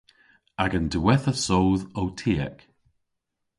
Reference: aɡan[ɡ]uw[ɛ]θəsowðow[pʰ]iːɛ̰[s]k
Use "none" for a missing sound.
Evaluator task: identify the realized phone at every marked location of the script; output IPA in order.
d, ɛ, tʰ, none

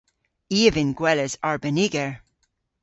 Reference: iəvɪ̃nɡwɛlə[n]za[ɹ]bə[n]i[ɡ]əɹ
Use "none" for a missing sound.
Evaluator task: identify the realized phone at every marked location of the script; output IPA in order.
none, ɹ, n, ɡ

